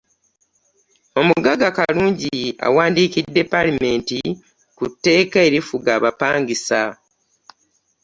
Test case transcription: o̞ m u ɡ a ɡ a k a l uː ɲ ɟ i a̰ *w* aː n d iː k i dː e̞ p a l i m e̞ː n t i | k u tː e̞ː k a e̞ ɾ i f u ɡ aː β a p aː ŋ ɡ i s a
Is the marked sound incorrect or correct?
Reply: correct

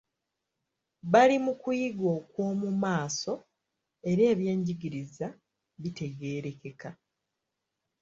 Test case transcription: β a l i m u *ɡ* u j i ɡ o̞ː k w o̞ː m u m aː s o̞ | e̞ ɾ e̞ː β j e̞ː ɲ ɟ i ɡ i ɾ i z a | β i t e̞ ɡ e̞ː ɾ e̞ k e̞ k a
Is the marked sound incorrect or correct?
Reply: incorrect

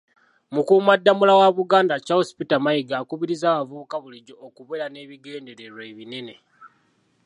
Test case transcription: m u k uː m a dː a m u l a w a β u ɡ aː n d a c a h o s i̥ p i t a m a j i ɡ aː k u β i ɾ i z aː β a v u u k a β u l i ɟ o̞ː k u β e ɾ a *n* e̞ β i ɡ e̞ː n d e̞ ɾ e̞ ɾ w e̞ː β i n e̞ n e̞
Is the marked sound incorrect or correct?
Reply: correct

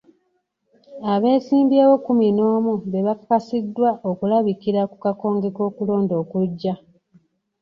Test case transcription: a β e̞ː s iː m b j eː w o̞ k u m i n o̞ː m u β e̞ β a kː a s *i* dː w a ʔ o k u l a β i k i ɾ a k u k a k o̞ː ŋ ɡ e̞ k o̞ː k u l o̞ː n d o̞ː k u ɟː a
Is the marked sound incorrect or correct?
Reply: correct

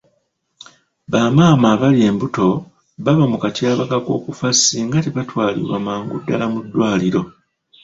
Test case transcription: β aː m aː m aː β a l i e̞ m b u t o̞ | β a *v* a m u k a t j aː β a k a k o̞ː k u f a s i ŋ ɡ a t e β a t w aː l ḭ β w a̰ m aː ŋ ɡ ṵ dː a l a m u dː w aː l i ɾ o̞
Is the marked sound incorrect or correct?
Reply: incorrect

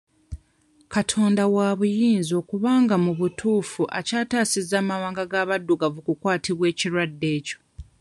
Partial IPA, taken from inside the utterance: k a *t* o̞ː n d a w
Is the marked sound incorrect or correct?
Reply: incorrect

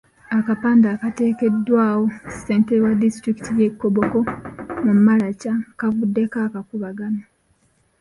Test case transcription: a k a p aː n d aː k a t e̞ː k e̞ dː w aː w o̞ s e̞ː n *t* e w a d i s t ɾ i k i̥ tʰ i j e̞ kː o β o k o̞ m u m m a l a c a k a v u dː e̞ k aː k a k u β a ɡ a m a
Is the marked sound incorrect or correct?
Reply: correct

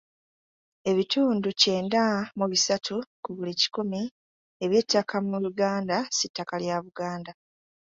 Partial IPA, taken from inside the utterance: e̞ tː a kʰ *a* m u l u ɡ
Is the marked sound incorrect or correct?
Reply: correct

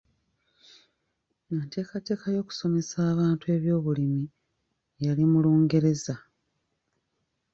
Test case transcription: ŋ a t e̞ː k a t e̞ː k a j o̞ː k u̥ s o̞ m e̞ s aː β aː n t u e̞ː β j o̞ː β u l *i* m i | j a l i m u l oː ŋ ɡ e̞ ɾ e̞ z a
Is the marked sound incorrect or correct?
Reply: correct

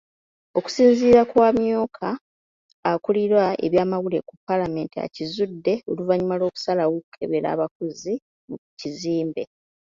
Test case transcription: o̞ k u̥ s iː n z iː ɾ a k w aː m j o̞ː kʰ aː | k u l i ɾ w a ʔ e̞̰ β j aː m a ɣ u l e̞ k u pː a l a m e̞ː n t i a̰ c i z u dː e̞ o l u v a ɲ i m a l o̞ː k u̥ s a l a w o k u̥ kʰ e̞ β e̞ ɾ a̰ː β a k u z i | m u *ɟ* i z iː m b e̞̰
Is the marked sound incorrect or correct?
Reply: incorrect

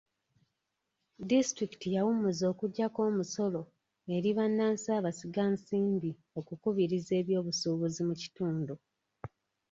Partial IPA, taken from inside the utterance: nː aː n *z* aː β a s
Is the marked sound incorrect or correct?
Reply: incorrect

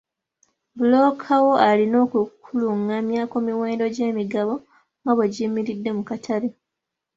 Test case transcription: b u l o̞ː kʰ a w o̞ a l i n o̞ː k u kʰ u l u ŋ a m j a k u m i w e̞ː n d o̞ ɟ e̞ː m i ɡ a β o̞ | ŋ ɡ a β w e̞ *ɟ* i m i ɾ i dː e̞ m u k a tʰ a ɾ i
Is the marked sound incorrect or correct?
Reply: correct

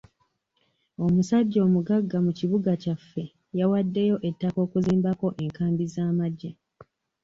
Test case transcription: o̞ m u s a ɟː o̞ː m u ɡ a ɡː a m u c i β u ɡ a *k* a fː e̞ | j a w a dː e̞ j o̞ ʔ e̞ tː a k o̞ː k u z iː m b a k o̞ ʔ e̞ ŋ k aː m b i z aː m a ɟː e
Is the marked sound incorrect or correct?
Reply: incorrect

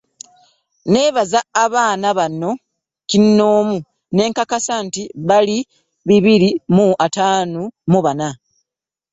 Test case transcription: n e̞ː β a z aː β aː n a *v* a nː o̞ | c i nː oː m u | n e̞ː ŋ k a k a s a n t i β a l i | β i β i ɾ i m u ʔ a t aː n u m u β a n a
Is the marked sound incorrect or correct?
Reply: incorrect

